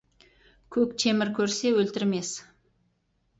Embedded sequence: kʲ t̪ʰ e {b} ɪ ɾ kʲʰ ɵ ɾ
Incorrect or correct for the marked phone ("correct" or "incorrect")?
incorrect